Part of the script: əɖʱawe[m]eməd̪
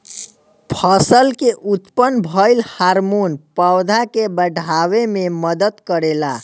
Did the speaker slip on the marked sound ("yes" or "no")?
no